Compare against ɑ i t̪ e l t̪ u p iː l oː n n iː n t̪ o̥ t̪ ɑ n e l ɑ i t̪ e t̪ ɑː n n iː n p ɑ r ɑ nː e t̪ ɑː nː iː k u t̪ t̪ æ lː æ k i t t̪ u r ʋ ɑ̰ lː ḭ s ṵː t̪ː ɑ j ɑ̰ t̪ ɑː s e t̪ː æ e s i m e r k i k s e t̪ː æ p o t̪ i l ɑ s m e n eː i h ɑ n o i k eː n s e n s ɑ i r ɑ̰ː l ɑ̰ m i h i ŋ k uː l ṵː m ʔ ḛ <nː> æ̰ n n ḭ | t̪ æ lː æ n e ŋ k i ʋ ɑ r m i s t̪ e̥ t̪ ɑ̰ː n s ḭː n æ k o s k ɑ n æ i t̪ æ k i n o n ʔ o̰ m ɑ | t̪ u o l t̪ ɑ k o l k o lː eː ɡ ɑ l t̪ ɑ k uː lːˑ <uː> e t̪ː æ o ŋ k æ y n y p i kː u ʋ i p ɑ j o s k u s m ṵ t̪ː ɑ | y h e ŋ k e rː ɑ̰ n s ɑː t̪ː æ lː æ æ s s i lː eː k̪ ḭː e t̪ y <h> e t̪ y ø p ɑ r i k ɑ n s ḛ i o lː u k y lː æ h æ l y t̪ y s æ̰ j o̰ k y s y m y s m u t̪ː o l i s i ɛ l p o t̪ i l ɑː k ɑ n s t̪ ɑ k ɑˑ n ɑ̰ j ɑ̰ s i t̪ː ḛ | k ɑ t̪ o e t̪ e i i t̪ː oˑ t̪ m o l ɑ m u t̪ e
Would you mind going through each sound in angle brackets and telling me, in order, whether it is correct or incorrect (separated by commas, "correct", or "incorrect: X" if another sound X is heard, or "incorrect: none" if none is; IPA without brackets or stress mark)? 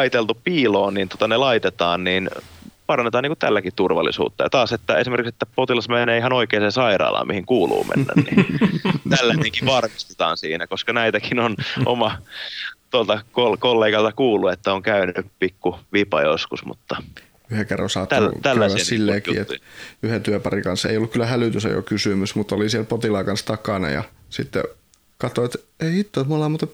correct, incorrect: u, correct